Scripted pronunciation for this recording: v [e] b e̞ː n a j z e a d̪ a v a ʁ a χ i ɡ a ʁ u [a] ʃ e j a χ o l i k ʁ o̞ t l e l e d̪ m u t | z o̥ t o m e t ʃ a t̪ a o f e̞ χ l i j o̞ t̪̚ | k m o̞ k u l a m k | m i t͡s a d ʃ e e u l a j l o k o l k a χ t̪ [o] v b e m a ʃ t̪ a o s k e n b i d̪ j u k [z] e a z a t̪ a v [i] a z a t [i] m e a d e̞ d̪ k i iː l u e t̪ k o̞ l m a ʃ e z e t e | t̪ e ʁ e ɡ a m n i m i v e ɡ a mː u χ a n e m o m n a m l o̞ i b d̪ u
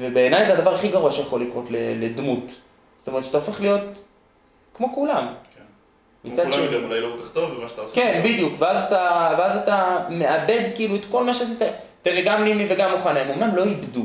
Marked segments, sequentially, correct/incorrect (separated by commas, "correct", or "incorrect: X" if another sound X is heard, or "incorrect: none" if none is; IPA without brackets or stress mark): correct, correct, correct, incorrect: v, incorrect: e, incorrect: a